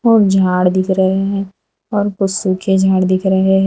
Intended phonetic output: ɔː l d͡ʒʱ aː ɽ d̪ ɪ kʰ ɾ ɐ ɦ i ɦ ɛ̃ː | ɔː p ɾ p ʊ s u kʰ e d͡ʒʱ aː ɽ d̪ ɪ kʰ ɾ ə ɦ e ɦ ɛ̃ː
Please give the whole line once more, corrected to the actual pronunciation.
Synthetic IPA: ɔː ɾ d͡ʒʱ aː ɽ d̪ ɪ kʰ ɾ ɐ ɦ e ɦ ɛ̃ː | ɔː ɾ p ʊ s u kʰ e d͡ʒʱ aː ɽ d̪ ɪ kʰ ɾ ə ɦ e ɦ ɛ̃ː